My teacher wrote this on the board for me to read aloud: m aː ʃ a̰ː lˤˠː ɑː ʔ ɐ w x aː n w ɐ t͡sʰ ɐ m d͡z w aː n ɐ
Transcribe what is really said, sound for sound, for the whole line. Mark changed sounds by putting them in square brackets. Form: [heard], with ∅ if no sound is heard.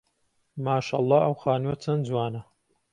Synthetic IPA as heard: m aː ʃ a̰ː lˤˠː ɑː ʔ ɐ w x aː n w ɐ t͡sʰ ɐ [n] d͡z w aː n ɐ

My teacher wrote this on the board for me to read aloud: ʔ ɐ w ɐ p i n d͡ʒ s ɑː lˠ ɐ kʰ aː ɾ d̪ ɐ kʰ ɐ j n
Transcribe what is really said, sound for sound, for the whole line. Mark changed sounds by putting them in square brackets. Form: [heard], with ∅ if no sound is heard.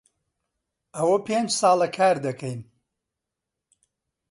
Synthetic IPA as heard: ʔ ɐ w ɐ p [e] n d͡ʒ s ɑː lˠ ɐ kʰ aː ɾ d̪ ɐ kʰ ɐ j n

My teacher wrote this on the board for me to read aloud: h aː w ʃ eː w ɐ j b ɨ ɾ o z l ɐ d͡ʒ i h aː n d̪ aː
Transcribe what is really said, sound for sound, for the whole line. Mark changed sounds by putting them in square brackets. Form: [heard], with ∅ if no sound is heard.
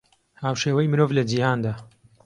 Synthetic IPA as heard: h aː w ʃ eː w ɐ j [m] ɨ ɾ o [v] l ɐ d͡ʒ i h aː n d̪ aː

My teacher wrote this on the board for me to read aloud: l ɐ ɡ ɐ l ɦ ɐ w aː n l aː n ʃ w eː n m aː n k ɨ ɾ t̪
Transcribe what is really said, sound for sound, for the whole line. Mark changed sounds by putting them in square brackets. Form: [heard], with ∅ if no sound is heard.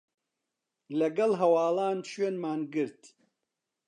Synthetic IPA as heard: l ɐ ɡ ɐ l ɦ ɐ w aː [∅] l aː n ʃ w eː n m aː n [ɡ] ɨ ɾ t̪

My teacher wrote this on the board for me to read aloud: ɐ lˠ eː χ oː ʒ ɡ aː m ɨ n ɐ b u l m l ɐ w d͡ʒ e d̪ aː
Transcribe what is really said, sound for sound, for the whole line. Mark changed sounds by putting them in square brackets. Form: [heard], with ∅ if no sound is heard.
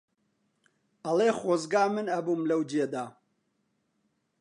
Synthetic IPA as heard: ɐ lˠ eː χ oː [z] ɡ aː m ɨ n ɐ b u [∅] m l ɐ w d͡ʒ e d̪ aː

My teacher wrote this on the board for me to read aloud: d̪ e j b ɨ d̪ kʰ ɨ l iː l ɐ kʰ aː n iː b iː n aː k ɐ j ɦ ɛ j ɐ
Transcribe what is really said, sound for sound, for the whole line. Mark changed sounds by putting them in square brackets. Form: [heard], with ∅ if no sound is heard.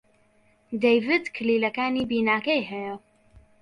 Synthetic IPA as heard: d̪ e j [v] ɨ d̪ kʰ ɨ l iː l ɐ [k] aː n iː b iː n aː k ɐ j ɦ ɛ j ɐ

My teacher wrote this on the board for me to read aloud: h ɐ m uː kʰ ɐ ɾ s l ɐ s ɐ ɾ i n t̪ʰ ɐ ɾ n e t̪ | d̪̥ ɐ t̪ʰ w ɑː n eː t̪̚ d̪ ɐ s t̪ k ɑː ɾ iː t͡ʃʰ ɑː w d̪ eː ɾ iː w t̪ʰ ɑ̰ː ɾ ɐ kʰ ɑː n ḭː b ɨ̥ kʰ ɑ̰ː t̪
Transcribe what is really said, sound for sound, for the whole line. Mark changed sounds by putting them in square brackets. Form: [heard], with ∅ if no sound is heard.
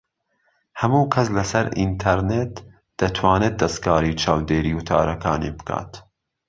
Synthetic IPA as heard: h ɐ m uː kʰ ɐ [∅] s l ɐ s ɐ ɾ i n t̪ʰ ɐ ɾ n e t̪ | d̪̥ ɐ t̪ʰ w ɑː n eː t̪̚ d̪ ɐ s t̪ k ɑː ɾ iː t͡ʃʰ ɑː w d̪ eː ɾ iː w t̪ʰ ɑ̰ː ɾ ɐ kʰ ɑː n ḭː b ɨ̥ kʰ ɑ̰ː t̪

